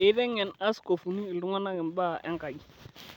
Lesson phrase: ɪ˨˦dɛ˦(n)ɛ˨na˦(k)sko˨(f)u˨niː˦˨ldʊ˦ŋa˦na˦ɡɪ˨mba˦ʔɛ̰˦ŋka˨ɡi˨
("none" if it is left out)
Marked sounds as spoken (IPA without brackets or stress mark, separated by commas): ŋ, none, f